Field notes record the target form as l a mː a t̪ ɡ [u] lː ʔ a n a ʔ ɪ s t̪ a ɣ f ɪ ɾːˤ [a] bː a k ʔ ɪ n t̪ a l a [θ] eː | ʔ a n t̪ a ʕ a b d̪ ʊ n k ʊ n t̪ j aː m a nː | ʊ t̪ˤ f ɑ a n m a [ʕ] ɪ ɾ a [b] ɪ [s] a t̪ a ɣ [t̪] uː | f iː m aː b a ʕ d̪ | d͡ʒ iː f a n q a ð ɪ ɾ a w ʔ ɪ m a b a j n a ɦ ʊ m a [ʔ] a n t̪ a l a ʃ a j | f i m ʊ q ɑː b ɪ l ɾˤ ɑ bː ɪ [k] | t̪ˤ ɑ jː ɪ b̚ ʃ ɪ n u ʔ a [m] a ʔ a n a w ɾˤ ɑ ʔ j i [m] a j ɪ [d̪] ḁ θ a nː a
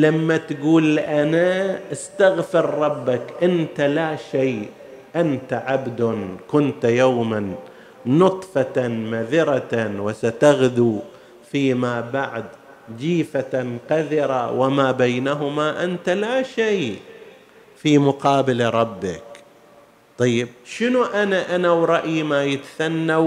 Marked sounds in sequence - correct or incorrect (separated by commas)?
incorrect, incorrect, incorrect, incorrect, incorrect, correct, incorrect, correct, correct, incorrect, correct, incorrect